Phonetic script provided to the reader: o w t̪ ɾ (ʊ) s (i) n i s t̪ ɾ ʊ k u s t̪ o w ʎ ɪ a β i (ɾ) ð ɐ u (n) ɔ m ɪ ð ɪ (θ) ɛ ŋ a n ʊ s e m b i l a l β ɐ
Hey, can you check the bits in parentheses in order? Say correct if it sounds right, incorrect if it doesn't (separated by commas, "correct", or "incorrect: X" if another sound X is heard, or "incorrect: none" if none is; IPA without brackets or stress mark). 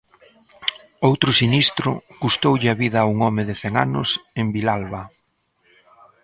correct, correct, incorrect: none, incorrect: ŋ, correct